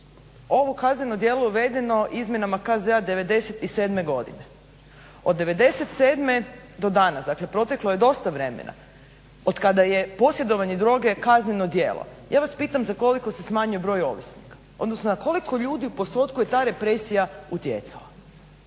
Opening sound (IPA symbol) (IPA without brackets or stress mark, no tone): o̞